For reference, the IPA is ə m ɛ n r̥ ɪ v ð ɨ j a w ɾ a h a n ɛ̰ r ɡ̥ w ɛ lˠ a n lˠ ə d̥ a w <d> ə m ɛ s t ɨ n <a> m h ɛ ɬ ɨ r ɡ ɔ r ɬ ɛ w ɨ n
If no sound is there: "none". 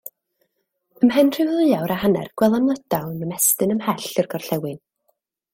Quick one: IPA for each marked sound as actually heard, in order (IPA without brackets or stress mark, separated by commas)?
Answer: n, ə